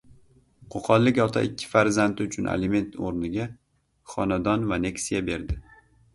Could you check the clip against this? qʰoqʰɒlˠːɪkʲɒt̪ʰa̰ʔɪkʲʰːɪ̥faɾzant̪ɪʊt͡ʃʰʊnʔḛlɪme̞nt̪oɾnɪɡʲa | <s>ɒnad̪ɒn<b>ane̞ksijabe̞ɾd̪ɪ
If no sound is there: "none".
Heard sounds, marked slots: χ, v

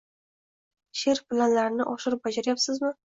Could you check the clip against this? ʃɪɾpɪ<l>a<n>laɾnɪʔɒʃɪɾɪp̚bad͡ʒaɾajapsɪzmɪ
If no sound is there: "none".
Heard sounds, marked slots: l, n

